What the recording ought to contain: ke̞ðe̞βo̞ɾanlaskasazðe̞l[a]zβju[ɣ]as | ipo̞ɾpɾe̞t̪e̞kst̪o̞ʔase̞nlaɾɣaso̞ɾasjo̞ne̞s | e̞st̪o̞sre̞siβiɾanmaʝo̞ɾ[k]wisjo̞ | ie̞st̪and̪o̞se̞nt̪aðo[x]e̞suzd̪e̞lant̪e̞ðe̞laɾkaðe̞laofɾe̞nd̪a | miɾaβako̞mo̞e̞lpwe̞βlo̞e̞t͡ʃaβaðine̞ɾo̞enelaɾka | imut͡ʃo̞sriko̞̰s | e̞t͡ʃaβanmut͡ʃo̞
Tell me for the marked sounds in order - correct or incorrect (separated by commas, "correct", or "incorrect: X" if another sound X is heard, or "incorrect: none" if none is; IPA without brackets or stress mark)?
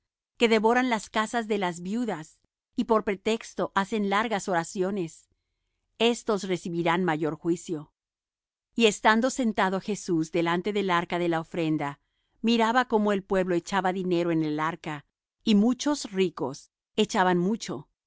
correct, incorrect: ð, incorrect: x, correct